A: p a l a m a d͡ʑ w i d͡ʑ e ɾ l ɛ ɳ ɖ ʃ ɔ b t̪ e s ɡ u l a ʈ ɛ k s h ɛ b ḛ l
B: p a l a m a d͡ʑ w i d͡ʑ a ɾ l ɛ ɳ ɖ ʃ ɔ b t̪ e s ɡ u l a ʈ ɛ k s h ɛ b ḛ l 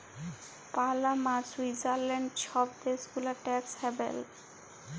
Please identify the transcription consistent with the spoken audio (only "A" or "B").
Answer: B